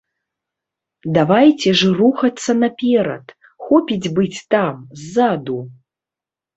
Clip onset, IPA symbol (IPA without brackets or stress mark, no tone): d̪